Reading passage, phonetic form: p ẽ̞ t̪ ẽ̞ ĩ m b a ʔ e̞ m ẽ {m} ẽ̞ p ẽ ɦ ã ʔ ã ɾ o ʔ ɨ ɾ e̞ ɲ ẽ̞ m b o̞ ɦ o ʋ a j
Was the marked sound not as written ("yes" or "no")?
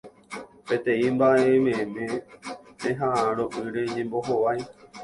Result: no